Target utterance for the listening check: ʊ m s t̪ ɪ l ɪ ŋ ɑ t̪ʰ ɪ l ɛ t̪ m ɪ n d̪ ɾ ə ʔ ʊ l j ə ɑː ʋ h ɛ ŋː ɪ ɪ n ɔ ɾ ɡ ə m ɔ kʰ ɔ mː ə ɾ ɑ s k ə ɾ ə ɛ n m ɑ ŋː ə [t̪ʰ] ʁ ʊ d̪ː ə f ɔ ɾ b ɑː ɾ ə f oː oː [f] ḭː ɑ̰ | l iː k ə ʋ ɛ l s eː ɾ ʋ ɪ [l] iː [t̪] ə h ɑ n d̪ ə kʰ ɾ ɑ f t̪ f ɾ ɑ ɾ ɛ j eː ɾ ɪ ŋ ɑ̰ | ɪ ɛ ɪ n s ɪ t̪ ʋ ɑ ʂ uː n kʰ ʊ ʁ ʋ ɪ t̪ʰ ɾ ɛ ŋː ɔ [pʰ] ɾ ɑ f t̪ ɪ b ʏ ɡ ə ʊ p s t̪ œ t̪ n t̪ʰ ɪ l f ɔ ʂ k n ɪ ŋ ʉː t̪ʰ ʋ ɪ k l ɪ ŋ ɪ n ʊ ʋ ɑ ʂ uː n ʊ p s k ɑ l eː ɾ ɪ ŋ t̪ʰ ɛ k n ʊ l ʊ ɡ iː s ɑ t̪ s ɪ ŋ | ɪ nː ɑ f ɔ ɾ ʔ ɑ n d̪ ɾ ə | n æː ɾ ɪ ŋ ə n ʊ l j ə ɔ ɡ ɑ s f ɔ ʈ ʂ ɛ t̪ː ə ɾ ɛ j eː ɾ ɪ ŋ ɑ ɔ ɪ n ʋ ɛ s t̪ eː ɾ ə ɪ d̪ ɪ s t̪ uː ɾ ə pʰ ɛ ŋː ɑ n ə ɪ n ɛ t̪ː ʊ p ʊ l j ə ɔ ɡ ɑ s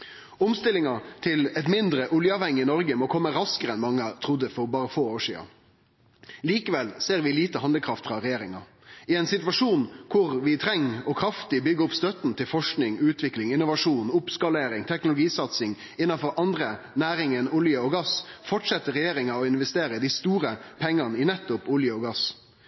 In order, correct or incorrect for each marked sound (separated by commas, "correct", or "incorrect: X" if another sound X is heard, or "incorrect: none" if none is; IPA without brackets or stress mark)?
correct, incorrect: ʂ, correct, correct, incorrect: kʰ